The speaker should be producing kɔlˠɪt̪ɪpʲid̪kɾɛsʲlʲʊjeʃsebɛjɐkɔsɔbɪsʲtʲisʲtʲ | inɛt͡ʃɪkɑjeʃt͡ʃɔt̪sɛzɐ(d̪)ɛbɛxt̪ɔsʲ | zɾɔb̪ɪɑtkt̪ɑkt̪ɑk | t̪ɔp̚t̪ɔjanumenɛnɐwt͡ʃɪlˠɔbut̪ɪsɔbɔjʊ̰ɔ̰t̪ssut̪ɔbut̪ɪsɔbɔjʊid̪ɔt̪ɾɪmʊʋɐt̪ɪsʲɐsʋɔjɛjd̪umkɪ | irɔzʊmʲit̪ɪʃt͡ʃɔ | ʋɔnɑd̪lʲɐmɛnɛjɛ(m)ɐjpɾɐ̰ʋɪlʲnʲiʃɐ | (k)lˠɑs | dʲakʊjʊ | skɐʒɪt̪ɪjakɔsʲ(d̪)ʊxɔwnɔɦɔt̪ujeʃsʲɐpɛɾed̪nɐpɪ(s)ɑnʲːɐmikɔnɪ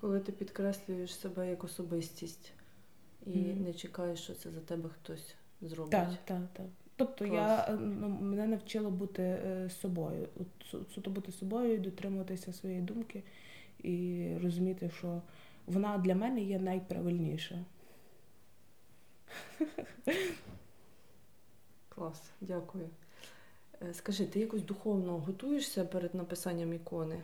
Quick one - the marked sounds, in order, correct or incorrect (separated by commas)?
incorrect, incorrect, correct, correct, correct